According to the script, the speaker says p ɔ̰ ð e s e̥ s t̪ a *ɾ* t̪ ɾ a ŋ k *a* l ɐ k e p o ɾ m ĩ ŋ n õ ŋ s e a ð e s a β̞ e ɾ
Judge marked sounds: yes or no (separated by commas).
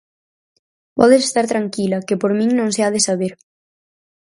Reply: yes, no